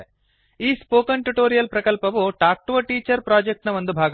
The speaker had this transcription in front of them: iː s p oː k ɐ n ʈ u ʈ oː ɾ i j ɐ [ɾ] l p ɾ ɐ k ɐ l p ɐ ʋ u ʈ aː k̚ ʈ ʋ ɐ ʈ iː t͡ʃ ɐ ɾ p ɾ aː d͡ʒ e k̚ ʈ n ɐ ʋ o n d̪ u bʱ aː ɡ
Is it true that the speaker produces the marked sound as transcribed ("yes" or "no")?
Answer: no